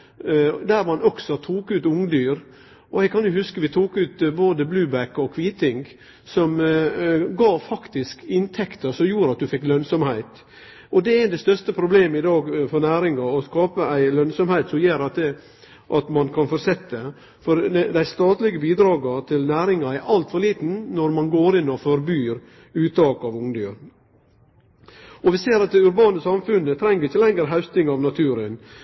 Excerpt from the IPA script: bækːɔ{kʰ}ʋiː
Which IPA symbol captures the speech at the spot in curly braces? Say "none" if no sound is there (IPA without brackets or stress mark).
kʰ